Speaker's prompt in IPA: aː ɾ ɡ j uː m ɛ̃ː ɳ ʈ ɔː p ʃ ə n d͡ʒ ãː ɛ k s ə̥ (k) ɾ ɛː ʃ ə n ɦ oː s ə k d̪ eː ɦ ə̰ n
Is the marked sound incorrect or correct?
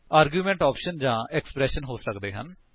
incorrect